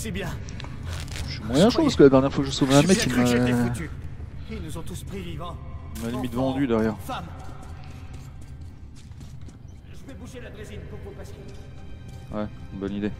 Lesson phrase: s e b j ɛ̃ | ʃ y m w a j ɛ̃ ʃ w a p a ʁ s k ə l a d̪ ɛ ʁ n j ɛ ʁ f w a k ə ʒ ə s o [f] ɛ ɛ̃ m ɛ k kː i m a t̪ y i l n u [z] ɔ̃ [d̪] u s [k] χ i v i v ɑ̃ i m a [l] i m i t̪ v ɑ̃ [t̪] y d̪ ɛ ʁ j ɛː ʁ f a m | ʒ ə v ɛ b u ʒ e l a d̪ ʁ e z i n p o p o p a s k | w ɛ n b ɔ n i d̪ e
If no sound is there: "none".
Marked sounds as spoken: v, z, t̪, p, l, d̪

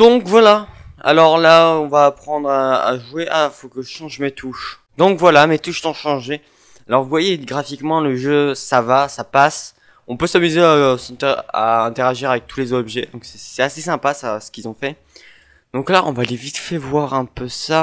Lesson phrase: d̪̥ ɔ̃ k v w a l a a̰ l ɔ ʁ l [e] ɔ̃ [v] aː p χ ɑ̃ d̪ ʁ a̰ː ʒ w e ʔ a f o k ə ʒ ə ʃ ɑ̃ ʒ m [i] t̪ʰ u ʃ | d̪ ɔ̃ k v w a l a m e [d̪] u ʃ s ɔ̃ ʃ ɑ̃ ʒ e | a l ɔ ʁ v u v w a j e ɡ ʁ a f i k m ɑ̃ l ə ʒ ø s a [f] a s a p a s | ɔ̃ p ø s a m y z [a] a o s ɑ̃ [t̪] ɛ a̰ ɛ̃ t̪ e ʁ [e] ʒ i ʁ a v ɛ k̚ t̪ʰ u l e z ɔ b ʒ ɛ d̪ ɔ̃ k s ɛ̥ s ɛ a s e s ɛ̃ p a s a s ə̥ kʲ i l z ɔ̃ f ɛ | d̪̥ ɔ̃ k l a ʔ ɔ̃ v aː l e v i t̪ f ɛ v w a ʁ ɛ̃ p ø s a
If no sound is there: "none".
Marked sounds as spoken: a, v, e, t̪, v, e, t̪, a

